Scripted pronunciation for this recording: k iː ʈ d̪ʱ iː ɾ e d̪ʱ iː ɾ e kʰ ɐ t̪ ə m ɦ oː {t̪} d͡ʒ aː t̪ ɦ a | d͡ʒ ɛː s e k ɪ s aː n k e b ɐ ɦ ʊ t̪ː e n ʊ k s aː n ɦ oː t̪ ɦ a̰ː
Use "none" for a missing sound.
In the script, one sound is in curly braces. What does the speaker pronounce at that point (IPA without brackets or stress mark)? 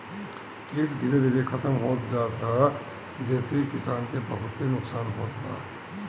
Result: t̪